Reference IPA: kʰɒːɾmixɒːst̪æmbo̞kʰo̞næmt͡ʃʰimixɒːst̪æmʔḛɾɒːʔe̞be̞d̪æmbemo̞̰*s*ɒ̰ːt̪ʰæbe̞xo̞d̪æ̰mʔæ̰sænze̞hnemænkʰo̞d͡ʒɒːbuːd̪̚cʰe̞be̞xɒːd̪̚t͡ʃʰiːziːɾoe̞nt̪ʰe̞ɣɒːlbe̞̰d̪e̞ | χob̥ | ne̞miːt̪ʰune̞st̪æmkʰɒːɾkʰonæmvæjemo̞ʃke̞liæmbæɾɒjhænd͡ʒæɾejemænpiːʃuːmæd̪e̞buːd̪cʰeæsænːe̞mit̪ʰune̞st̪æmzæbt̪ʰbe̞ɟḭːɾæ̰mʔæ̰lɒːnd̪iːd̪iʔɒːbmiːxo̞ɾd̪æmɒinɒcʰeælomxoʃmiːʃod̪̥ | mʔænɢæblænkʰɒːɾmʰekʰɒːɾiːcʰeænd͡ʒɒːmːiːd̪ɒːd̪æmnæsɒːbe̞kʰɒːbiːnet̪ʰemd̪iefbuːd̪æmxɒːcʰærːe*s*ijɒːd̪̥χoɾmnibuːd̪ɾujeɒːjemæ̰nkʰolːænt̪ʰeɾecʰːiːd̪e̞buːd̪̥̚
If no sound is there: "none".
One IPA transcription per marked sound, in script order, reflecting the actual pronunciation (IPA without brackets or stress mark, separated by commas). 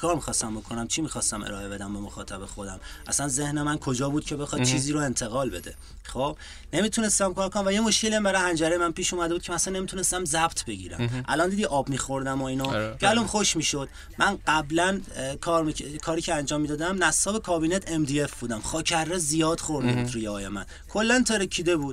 x, z